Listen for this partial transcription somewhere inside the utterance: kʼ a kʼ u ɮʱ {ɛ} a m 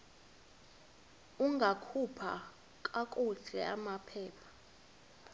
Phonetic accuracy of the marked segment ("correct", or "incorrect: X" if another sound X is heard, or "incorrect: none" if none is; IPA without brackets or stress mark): correct